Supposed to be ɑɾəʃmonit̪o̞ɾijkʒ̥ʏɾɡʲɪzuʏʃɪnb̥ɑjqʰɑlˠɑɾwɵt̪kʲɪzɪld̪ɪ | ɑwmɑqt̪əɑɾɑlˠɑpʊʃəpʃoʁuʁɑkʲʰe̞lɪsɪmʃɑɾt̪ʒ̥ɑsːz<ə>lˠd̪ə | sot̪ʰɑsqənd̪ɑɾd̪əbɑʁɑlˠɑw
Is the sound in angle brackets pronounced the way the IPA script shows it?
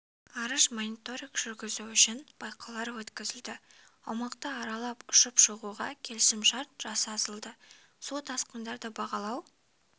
yes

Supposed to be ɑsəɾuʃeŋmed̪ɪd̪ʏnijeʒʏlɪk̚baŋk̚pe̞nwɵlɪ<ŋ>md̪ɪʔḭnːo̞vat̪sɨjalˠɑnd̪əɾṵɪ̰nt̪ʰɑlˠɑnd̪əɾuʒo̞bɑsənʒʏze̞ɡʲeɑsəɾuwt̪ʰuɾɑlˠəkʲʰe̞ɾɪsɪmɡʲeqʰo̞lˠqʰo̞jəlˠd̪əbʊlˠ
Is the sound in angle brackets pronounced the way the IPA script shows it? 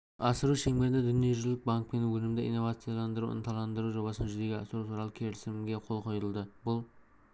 no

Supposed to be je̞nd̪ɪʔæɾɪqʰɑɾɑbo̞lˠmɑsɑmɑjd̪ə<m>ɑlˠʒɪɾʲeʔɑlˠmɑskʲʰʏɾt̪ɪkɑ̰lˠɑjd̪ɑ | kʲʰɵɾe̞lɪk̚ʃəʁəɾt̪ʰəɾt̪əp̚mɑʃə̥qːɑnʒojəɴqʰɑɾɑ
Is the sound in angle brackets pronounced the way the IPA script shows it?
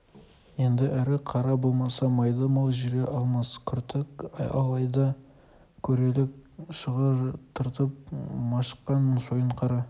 yes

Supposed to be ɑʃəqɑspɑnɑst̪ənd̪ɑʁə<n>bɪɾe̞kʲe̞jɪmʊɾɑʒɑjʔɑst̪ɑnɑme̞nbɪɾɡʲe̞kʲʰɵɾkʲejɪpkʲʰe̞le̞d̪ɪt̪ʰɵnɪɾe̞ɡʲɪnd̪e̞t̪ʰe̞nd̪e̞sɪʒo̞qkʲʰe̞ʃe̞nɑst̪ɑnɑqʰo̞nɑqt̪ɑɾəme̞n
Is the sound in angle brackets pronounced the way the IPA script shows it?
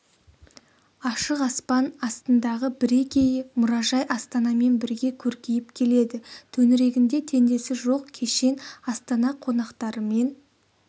no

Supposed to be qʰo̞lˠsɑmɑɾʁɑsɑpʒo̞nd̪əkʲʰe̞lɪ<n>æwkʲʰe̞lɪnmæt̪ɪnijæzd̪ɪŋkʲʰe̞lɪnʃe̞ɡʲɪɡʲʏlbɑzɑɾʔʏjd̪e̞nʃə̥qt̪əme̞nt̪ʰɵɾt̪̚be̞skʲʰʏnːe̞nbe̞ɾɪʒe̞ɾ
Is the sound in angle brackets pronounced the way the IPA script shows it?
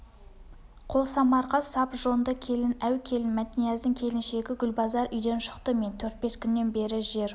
yes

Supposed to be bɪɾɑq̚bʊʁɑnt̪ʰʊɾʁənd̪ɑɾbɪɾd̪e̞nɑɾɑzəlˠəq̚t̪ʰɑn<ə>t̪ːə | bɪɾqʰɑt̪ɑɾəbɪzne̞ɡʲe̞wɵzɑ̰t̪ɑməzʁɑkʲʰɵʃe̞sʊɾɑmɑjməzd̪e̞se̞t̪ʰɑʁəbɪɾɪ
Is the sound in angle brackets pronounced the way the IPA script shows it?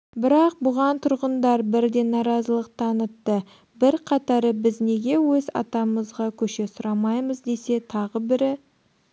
yes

